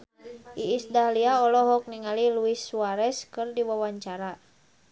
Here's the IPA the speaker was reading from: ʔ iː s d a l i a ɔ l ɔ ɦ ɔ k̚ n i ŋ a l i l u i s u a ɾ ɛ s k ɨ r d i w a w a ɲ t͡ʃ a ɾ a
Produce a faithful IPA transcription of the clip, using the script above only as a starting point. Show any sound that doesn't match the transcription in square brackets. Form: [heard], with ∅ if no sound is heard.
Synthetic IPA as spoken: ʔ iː s d a l i a ɔ l ɔ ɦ ɔ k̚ n i ŋ a l i l u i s [w] a ɾ ɛ s k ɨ r d i w a w a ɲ t͡ʃ a ɾ a